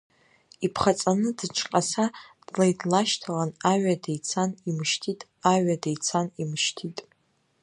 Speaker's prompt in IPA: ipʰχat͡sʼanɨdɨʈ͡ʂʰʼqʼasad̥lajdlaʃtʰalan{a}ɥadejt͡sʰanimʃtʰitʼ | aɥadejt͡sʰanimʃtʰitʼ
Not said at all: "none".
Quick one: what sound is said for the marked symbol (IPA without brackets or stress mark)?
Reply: a